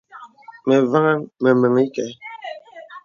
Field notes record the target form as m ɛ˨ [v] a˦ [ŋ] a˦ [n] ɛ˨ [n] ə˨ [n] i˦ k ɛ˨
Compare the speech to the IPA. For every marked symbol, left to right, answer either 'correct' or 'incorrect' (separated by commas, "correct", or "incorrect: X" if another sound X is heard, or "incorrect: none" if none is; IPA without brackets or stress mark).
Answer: correct, correct, incorrect: m, incorrect: m, incorrect: ŋ